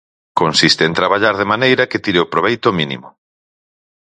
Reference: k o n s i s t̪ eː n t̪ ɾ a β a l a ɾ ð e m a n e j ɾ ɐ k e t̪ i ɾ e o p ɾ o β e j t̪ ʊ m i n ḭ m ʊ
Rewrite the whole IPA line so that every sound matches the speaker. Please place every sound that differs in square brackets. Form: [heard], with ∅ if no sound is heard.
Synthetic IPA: k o n s i s t̪ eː n t̪ ɾ a β a [ʎ] a ɾ ð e m a n e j ɾ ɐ k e t̪ i ɾ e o p ɾ o β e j t̪ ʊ m i n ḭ m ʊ